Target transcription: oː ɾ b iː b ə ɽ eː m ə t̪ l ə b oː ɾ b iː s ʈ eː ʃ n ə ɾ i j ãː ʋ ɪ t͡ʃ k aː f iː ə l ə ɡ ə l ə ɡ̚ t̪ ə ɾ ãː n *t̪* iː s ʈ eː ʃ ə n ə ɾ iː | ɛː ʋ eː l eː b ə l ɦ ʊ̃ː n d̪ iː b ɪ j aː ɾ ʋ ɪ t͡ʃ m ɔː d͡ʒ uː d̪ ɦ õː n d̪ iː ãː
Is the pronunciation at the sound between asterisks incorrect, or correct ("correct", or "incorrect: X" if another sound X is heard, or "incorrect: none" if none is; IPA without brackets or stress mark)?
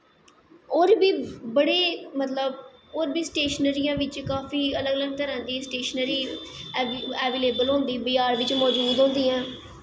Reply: incorrect: d̪